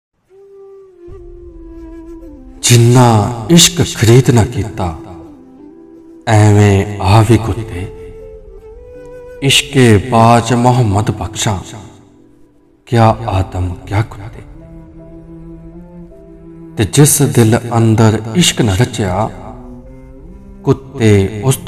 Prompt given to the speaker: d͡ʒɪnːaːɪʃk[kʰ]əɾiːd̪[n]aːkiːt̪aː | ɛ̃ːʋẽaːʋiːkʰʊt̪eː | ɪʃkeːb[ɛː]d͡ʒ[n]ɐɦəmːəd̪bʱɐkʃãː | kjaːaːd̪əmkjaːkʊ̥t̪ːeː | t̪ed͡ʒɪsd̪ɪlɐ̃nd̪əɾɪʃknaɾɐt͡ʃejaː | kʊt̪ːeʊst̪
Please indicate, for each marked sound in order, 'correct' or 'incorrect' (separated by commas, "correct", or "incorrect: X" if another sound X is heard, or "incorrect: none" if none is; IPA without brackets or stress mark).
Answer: correct, correct, incorrect: aː, incorrect: m